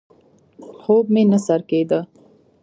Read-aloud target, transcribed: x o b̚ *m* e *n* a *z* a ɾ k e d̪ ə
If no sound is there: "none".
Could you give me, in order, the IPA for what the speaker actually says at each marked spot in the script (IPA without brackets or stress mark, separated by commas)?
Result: m, n, s